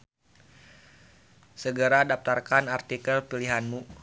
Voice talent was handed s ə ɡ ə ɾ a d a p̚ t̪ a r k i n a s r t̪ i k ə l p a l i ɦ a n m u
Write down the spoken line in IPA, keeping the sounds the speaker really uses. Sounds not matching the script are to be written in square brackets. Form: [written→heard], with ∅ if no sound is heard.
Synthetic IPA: s ə ɡ ə ɾ a d a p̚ t̪ a r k [i→a] n a [s→∅] r t̪ i k ə l p [a→i] l i ɦ a n m u